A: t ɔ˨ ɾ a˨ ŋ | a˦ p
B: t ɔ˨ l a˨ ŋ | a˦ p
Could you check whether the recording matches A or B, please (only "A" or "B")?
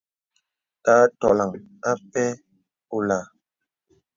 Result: B